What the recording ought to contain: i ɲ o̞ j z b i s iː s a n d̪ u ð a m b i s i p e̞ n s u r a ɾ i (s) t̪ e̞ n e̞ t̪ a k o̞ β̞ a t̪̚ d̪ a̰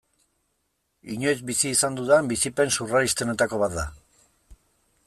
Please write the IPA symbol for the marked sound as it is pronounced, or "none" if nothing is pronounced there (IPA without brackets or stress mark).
s